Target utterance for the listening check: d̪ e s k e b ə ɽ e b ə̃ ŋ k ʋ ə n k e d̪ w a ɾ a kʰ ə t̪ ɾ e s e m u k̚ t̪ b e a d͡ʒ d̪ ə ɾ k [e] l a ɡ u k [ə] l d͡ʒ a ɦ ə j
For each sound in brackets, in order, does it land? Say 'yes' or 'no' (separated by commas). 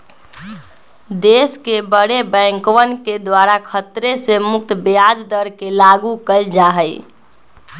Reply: yes, yes